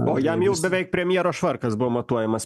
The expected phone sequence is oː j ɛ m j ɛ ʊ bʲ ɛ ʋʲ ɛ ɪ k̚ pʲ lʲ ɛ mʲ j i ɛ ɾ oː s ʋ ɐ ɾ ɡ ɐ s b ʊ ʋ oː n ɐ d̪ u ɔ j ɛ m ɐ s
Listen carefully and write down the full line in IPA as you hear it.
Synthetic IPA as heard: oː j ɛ m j ɛ ʊ bʲ ɛ ʋʲ ɛ ɪ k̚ pʲ ɾʲ ɛ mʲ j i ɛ ɾ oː ʃ ʋ ɐ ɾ k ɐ s b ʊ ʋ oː m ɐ t̪ u ɔ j ɛ m ɐ s